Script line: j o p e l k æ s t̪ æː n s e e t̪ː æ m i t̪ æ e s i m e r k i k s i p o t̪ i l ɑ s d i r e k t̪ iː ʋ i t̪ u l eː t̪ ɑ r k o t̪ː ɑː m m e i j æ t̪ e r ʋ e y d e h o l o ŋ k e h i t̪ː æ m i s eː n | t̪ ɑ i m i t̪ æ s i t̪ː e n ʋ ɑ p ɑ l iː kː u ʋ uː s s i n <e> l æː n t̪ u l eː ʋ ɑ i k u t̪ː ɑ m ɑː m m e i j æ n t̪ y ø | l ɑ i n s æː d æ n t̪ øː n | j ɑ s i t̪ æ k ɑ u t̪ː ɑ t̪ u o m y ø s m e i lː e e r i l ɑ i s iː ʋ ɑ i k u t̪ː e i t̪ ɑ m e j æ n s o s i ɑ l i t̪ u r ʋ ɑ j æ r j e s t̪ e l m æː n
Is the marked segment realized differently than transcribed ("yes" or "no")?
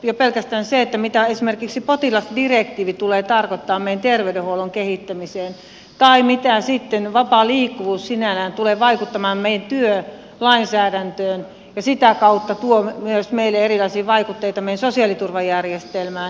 yes